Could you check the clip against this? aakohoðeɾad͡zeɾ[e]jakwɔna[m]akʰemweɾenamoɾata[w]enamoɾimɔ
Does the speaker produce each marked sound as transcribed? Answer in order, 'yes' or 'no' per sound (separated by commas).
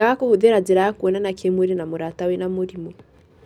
no, no, yes